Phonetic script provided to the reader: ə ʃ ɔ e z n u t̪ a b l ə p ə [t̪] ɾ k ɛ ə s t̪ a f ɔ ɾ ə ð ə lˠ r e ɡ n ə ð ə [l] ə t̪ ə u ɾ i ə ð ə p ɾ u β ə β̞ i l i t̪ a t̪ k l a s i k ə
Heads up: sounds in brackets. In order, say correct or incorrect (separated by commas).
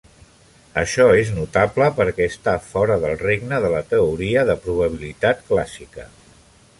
incorrect, correct